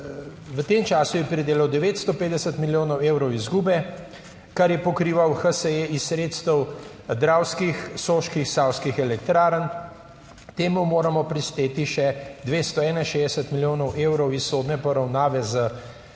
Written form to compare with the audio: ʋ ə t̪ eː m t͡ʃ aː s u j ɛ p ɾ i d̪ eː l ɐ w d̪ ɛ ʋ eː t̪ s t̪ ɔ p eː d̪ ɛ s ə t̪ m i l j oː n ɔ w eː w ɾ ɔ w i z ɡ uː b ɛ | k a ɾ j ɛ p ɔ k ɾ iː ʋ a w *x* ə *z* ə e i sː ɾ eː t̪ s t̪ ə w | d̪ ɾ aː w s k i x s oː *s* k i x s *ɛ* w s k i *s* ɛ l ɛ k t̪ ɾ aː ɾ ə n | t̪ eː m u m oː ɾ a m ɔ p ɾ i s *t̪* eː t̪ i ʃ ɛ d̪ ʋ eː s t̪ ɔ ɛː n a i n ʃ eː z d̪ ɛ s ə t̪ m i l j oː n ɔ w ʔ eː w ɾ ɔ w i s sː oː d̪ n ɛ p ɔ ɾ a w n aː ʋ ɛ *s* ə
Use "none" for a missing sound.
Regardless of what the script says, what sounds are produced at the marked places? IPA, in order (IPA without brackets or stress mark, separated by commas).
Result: x, s, ʃ, a, x, t̪, z